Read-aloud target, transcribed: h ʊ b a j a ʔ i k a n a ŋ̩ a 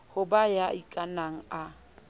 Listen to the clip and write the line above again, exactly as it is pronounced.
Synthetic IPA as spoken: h ʊ b a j a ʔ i kʼ a n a ŋ̩ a